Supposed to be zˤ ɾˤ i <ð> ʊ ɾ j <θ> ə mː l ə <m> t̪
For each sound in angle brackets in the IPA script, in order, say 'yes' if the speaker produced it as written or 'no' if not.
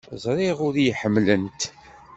no, no, no

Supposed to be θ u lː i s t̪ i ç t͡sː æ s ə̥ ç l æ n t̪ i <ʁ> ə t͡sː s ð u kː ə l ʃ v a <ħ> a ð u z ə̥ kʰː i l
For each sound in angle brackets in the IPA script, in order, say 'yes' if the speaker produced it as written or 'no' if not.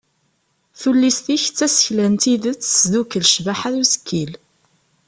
no, yes

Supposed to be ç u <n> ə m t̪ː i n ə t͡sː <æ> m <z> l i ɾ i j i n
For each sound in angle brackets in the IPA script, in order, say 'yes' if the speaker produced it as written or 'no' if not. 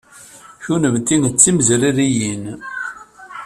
yes, no, yes

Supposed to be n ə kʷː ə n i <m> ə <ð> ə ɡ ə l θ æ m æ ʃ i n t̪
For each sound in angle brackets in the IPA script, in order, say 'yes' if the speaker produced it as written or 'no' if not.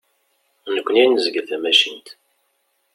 no, no

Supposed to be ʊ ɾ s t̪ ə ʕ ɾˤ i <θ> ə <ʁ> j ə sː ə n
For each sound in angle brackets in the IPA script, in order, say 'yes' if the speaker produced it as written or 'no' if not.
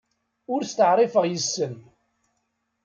no, yes

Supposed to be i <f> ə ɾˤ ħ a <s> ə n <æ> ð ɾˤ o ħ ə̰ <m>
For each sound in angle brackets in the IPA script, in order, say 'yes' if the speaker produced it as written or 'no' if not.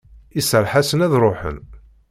no, yes, yes, no

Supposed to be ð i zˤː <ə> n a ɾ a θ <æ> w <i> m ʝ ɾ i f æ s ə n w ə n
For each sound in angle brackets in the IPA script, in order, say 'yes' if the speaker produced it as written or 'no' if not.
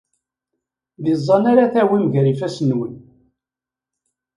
no, yes, yes

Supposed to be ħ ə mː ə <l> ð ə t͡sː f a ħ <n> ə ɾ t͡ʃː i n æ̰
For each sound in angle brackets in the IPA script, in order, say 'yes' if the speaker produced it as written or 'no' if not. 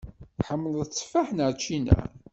yes, yes

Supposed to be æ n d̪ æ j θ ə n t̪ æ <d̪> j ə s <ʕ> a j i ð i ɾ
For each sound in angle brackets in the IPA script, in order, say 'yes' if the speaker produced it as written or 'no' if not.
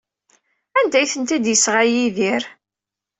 yes, no

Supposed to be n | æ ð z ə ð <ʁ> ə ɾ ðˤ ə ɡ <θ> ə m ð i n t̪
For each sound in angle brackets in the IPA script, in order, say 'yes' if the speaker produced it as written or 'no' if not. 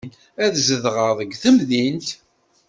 yes, yes

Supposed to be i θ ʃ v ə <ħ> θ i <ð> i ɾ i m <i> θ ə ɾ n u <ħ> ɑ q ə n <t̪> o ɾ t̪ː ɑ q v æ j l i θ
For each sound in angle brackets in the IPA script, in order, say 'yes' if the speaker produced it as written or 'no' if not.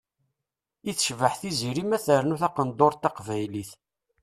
yes, no, no, no, no

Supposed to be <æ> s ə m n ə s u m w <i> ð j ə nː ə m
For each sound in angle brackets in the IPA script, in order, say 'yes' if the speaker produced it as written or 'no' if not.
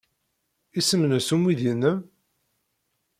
no, yes

